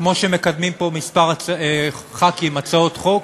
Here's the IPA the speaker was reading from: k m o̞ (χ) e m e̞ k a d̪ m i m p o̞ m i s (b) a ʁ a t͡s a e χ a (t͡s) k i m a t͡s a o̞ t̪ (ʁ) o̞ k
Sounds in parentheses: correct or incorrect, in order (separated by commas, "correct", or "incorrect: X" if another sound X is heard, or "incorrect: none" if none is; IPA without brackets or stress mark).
incorrect: ʃ, incorrect: p, incorrect: none, incorrect: χ